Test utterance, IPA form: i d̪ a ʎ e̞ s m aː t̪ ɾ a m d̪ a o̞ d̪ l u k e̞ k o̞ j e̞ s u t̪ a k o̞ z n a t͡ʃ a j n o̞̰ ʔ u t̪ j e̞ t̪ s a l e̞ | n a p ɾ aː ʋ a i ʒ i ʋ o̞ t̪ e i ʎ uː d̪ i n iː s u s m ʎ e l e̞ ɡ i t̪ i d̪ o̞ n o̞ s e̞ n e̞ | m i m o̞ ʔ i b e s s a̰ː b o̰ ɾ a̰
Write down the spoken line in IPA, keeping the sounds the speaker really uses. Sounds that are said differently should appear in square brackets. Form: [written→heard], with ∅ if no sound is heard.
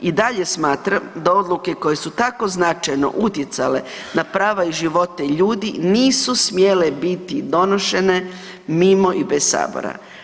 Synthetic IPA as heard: i d̪ a ʎ e̞ s m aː t̪ ɾ a m d̪ a o̞ d̪ l u k e̞ k o̞ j e̞ s u t̪ a k o̞ z n a t͡ʃ a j n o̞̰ ʔ u t̪ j e̞ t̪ s a l e̞ | n a p ɾ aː ʋ a i ʒ i ʋ o̞ t̪ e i ʎ uː d̪ i n iː s u s m [ʎ→j] e l e̞ [ɡ→b] i t̪ i d̪ o̞ n o̞ [s→ʃ] e̞ n e̞ | m i m o̞ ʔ i b e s s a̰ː b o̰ ɾ a̰

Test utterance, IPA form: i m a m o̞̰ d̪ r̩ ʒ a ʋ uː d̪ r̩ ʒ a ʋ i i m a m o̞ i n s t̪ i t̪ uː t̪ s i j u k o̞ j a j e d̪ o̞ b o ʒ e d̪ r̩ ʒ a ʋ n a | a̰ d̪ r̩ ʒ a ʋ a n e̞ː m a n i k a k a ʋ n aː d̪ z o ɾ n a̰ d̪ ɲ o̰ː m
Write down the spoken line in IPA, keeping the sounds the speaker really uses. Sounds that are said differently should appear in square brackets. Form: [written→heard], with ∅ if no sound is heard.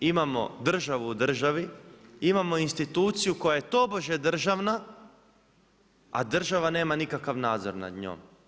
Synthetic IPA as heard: i m a m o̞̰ d̪ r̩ ʒ a ʋ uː d̪ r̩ ʒ a ʋ i i m a m o̞ i n s t̪ i t̪ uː t̪ s i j u k o̞ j a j e [d̪→t̪] o̞ b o ʒ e d̪ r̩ ʒ a ʋ n a | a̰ d̪ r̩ ʒ a ʋ a n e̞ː m a n i k a k a ʋ n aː d̪ z o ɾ n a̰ d̪ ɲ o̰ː m

